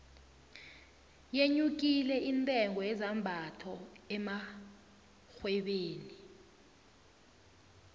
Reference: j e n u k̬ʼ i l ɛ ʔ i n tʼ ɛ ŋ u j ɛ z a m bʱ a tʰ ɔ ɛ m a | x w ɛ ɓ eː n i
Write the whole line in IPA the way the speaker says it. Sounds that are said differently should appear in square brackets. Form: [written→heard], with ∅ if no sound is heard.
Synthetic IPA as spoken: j e [n→ɲ] u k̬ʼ i l ɛ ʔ i n tʼ ɛ ŋ [u→ɔ] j ɛ z a m bʱ a tʰ ɔ ɛ m a | x w ɛ ɓ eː n i